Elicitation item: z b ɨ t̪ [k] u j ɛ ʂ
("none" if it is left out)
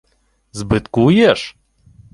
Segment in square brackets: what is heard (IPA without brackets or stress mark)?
k